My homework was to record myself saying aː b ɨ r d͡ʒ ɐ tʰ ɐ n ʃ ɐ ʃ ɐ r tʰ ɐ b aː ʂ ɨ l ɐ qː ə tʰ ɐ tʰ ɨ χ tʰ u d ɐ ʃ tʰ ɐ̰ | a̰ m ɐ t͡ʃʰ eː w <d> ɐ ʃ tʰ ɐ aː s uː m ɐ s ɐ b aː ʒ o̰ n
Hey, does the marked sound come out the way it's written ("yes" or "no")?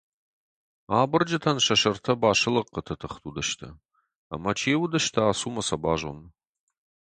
yes